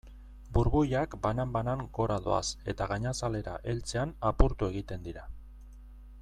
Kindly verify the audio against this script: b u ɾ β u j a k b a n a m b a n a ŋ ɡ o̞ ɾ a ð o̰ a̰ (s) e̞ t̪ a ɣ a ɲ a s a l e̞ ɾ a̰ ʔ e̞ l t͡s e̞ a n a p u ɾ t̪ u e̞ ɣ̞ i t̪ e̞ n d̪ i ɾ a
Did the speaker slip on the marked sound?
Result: no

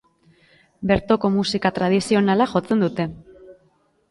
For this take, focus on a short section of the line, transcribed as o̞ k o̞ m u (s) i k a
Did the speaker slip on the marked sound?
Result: no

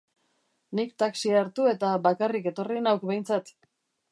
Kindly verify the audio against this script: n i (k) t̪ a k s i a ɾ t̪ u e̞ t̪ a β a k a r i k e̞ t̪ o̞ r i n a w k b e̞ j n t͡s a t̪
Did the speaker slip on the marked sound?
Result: no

